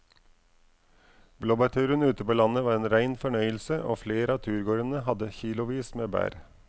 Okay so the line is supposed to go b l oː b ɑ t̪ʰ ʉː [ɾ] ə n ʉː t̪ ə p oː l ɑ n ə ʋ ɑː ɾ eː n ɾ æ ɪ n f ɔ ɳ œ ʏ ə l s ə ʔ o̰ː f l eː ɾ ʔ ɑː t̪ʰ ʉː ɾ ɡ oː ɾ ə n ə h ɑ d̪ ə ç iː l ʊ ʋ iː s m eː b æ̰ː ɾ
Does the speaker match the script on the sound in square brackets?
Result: yes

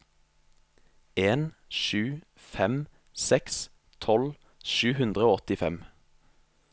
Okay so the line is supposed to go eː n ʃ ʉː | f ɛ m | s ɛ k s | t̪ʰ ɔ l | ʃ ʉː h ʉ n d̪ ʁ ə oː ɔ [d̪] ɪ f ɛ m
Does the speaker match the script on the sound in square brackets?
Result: no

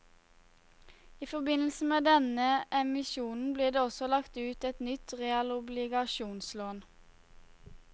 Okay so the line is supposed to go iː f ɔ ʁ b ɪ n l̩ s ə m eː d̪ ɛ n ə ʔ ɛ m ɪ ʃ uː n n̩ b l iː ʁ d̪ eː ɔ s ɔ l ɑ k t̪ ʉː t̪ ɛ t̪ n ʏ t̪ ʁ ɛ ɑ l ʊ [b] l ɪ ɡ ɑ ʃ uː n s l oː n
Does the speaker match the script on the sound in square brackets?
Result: yes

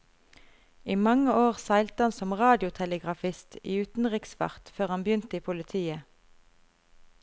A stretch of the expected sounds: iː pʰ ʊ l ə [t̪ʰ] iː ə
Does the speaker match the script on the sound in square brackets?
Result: yes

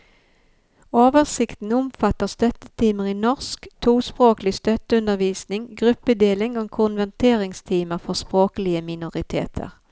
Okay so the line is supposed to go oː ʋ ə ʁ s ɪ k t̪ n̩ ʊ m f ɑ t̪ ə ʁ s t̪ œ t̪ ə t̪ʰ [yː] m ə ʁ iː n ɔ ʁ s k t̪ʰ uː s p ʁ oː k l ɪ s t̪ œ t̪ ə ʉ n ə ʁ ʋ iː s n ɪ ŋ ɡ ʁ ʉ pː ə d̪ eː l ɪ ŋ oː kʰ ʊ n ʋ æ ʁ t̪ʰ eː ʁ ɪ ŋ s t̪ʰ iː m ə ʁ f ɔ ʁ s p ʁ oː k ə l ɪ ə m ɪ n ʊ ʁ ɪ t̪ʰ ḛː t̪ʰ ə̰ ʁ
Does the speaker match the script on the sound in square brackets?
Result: no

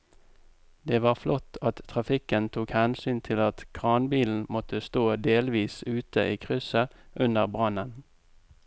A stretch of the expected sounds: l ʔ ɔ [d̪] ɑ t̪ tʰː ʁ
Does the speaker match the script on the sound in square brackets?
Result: no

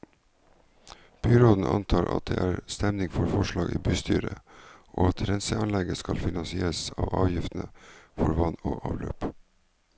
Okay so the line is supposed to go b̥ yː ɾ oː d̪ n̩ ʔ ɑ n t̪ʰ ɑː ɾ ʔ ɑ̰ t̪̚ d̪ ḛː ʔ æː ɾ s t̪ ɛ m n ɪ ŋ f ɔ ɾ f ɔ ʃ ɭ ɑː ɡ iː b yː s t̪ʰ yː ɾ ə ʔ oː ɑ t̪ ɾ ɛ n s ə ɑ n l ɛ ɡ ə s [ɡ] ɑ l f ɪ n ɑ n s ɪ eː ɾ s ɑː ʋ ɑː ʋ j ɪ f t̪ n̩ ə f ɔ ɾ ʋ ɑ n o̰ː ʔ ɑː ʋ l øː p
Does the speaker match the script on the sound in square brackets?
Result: no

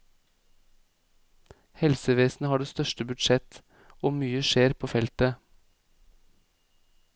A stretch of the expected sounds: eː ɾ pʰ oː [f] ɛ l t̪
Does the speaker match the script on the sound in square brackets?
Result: yes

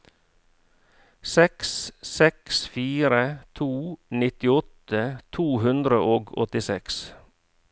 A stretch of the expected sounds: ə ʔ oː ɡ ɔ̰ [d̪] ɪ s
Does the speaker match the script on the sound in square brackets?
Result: no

